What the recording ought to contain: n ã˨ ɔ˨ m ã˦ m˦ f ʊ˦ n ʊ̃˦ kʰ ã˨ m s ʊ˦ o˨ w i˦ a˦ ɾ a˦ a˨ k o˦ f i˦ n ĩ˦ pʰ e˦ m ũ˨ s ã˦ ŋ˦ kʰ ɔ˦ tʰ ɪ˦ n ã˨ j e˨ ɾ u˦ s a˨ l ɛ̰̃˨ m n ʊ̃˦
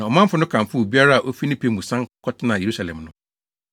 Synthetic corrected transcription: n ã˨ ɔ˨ m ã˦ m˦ f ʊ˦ n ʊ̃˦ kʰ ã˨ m f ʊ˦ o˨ b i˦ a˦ ɾ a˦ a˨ ʔ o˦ f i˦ n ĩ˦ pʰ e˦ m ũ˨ s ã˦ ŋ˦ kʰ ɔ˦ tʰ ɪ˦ n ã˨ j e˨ ɾ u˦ s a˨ l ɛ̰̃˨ m n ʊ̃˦